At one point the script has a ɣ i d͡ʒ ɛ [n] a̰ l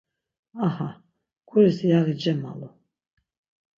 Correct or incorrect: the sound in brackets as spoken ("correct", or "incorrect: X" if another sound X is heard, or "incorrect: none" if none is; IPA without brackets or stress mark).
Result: incorrect: m